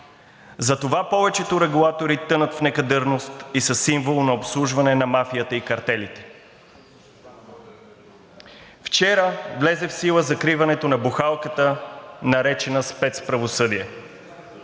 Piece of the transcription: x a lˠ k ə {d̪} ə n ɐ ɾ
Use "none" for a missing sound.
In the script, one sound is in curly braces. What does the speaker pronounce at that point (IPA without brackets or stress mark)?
t̪